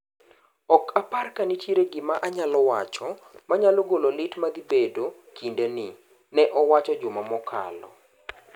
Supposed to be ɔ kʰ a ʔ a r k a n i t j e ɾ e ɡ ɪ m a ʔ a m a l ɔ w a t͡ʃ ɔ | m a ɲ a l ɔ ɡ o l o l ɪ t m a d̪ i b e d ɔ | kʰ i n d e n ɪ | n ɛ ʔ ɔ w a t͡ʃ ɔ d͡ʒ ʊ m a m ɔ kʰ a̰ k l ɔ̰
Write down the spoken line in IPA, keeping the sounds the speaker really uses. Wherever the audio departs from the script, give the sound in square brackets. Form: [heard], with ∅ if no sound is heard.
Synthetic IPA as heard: ɔ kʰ a [p] a r k a n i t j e ɾ e ɡ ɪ m a ʔ a [ɲ] a l ɔ w a t͡ʃ ɔ | m a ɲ a l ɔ ɡ o l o l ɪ t m a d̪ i b e d [o] | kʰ i n d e n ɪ | n ɛ ʔ ɔ w a t͡ʃ ɔ d͡ʒ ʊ m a m ɔ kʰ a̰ [∅] l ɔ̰